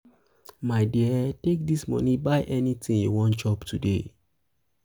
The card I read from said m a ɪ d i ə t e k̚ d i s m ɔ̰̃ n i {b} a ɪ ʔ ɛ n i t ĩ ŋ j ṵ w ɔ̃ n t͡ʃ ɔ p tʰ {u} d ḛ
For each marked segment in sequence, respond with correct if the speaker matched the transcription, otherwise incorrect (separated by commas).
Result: correct, correct